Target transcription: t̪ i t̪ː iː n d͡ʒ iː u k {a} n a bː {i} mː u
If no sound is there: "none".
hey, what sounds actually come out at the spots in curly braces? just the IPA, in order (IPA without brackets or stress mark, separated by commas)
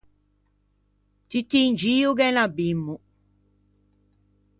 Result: ɛ, i